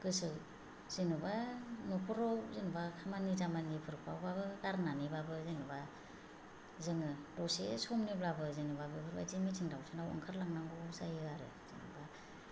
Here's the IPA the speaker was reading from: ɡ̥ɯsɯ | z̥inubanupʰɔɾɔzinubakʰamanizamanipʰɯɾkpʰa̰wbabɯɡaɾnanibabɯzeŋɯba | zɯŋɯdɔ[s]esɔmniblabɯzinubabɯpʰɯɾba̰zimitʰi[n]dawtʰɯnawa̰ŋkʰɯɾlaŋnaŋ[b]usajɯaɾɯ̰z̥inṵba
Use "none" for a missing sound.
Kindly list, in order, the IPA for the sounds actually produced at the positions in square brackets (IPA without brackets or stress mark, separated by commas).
s, ŋ, ɡ